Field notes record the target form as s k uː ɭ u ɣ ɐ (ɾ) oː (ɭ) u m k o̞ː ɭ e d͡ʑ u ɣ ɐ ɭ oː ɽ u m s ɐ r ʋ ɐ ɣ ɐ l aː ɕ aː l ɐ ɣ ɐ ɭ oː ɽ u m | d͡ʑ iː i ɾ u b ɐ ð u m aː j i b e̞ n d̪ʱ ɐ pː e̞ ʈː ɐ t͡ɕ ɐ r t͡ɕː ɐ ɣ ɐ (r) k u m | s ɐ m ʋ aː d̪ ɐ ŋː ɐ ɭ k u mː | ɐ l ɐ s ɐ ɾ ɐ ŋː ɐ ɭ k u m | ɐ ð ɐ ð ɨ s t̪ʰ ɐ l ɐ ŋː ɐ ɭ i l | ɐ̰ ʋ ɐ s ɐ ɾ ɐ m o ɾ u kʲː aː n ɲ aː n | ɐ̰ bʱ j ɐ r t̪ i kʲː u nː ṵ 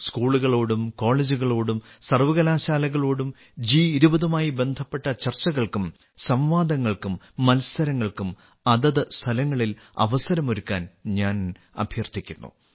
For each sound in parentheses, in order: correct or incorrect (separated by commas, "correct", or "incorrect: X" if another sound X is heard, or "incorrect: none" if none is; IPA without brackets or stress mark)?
incorrect: ɭ, incorrect: ɽ, incorrect: ɭ